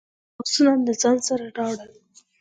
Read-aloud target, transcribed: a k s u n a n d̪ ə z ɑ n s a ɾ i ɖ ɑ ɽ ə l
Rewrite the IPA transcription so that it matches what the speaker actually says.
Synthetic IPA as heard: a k s u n a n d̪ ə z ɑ n s a ɾ a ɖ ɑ ɽ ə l